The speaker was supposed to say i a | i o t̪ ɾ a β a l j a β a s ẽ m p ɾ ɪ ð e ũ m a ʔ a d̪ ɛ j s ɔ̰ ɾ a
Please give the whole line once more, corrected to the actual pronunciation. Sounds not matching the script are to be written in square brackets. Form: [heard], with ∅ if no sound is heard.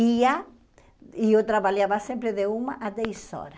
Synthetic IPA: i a | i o t̪ ɾ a β a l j a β a s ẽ m p ɾ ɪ ð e [u] m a ʔ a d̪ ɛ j s ɔ̰ ɾ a